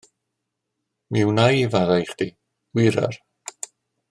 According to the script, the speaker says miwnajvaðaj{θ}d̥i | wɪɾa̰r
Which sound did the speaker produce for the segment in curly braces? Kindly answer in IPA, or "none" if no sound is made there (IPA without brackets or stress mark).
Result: χ